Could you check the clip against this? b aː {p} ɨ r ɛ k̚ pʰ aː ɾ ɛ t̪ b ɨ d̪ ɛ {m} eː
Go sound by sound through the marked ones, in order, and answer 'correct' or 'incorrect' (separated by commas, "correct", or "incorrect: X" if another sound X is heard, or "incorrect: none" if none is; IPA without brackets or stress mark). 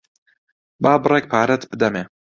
incorrect: b, correct